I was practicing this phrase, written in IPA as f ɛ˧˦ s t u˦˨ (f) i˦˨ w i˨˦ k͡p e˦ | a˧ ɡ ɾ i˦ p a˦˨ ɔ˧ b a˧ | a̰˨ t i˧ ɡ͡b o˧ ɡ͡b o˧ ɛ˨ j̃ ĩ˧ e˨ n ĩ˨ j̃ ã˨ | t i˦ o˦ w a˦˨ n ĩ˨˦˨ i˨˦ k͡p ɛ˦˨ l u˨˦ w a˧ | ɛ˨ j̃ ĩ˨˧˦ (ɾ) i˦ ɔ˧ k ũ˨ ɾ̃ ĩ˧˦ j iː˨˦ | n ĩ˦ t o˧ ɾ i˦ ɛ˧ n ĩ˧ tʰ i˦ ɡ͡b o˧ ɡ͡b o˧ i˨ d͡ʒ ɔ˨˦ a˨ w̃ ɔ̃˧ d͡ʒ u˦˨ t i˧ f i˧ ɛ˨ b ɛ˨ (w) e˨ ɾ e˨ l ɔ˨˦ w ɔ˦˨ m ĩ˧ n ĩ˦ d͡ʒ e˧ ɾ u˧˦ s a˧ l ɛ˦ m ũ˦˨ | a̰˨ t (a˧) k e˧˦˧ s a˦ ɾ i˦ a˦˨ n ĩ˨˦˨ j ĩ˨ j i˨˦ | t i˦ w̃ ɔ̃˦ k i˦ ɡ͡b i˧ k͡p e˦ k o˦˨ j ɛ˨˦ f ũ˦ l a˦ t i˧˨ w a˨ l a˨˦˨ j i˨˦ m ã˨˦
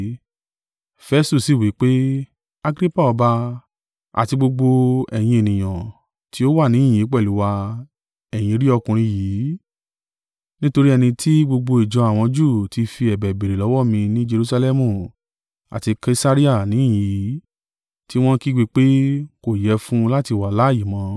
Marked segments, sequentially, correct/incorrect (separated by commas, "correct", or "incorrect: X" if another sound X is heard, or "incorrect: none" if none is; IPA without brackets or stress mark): incorrect: s, correct, incorrect: b, incorrect: i˧